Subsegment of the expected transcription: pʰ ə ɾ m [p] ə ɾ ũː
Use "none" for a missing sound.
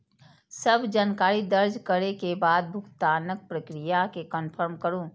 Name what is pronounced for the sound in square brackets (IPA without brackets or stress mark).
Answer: k